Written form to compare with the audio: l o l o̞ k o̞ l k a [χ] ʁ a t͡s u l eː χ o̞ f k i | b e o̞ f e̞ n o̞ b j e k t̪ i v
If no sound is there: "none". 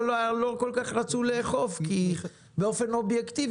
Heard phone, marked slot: χ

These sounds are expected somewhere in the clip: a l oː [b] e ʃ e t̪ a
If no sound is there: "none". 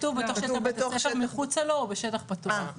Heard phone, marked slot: b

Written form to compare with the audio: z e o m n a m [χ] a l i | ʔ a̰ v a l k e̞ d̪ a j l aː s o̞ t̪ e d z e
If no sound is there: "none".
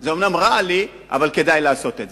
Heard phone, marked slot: ʁ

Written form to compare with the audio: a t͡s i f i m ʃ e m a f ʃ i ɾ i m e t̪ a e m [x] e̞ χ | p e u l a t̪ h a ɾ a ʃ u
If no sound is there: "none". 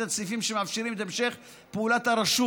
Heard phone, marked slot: ʃ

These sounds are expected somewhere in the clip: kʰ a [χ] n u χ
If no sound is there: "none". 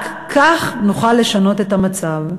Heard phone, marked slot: χ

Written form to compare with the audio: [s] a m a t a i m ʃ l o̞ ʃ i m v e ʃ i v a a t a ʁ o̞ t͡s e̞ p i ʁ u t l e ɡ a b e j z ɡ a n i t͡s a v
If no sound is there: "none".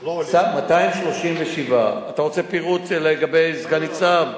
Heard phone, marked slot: s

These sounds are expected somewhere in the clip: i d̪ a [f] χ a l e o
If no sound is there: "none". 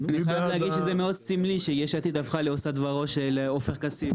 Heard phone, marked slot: f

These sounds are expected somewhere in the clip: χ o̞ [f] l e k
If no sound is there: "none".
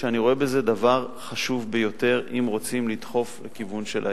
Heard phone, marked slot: f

